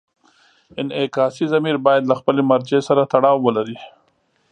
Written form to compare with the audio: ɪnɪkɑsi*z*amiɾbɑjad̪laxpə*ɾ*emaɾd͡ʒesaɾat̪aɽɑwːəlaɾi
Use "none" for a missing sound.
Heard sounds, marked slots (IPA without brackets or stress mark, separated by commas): z, l